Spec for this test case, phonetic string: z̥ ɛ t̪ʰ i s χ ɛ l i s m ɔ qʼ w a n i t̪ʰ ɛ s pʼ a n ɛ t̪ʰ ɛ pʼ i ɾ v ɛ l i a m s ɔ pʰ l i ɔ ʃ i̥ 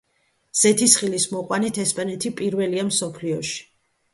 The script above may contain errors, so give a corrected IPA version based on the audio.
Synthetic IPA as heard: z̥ ɛ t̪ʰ i s χ i l i s m ɔ qʼ w a n i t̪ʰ ɛ s pʼ a n ɛ t̪ʰ i pʼ i ɾ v ɛ l i a m s ɔ pʰ l i ɔ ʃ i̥